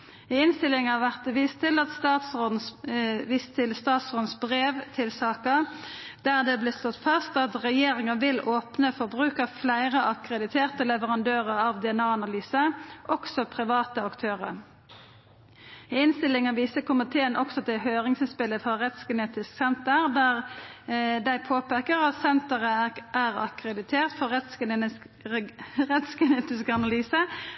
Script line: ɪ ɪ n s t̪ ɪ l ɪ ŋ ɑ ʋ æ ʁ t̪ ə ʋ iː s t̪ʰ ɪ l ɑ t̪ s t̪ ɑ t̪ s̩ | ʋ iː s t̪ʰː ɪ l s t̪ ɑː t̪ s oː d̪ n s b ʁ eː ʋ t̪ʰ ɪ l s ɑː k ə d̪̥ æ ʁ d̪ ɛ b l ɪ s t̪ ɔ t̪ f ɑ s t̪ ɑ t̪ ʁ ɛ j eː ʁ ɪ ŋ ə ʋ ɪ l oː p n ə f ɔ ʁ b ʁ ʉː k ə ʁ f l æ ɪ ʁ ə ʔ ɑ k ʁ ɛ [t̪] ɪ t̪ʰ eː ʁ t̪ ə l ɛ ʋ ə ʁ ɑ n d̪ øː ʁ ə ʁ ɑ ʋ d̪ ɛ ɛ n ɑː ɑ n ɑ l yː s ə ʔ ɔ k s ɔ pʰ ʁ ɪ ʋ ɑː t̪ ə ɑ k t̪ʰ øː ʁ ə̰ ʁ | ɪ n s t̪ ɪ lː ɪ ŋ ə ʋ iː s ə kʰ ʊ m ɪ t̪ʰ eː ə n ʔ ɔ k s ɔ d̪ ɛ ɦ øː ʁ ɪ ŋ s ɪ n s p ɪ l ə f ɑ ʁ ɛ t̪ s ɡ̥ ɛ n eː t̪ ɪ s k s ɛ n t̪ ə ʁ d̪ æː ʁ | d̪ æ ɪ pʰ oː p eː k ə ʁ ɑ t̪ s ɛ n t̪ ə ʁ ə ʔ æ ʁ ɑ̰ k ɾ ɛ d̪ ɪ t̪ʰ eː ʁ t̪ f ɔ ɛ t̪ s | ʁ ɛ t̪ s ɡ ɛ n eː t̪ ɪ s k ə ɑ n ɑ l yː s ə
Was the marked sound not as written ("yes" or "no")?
yes